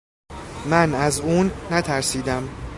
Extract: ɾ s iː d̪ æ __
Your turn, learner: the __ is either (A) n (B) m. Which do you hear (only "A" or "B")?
B